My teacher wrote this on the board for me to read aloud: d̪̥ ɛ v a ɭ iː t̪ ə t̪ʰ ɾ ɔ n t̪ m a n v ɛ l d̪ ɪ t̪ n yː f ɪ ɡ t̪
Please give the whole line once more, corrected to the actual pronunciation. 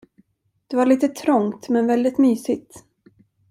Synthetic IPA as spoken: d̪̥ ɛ v a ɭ iː t̪ ə t̪ʰ ɾ ɔ ŋ t̪ m ɛ n v ɛ l d̪ ɪ t̪ m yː s ɪ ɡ t̪